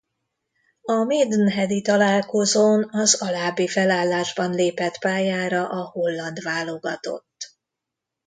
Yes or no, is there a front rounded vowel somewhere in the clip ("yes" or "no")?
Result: no